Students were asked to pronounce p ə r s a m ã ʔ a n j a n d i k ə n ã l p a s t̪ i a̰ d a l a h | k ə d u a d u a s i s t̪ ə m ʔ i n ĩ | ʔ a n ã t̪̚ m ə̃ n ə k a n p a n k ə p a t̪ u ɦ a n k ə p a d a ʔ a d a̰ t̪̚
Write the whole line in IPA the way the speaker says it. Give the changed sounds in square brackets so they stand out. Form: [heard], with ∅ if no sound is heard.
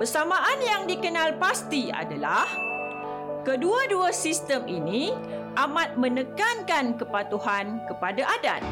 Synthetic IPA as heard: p ə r s a m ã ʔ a n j a [ŋ] d i k ə n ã l p a s t̪ i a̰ d a l a h | k ə d u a d u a s i s t̪ ə m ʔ i n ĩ | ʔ a [m] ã t̪̚ m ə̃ n ə k a n [k] a n k ə p a t̪ u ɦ a n k ə p a d a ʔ a d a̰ t̪̚